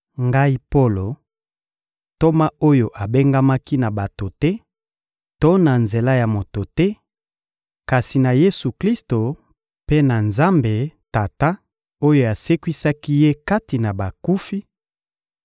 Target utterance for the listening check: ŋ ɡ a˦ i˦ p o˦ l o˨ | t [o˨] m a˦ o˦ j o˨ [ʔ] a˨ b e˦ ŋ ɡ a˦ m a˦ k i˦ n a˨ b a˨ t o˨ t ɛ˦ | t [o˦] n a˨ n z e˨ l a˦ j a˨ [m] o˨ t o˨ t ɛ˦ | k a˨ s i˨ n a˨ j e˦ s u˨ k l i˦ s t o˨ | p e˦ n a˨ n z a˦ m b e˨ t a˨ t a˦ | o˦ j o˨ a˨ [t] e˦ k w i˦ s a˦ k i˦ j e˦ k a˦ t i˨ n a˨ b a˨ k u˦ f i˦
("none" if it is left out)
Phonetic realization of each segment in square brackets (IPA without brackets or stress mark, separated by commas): o˦, ʔ, o˦, m, s